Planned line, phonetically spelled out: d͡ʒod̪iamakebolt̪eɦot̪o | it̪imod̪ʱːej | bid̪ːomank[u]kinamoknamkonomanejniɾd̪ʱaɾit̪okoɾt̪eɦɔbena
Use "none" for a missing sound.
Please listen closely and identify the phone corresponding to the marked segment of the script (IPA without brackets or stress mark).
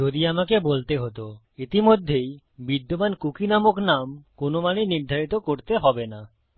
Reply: u